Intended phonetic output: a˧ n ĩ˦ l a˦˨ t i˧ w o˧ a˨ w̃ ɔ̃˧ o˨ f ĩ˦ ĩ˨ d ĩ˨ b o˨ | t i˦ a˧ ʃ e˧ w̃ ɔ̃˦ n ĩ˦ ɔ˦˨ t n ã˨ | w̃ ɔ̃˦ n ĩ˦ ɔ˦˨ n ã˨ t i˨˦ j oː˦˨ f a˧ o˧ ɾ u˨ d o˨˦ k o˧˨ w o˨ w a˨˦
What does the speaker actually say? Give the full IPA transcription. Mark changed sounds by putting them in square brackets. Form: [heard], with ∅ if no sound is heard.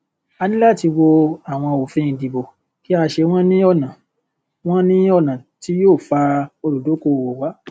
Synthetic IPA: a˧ n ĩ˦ l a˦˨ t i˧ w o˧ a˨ w̃ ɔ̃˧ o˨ f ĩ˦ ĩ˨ d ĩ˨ b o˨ | [k] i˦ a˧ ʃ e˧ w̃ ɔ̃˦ n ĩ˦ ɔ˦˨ [∅] n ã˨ | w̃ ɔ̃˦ n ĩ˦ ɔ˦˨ n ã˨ t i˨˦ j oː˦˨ f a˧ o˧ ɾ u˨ d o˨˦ k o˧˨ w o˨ w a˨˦